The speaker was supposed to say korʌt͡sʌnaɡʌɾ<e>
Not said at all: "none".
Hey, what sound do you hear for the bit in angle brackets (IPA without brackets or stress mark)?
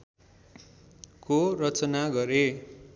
e